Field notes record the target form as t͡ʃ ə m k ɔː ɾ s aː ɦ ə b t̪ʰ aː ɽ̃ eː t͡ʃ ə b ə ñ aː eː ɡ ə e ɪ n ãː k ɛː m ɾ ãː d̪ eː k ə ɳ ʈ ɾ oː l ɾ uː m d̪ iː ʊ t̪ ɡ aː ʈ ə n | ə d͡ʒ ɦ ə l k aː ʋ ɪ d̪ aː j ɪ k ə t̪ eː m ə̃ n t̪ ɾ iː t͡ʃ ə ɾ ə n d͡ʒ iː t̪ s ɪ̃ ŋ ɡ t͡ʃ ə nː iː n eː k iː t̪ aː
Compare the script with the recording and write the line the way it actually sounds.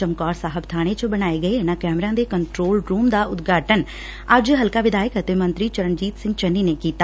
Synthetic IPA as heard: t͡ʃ ə m k ɔː ɾ s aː ɦ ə b t̪ʰ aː ɽ̃ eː t͡ʃ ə b ə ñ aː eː ɡ ə e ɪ n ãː k ɛː m ɾ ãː d̪ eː k ə ɳ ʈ ɾ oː l ɾ uː m d̪ aː ʊ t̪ ɡ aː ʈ ə n | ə d͡ʒ ɦ ə l k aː ʋ ɪ d̪ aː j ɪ k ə t̪ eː m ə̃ n t̪ ɾ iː t͡ʃ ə ɾ ə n d͡ʒ iː t̪ s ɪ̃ ŋ ɡ t͡ʃ ə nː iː n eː k iː t̪ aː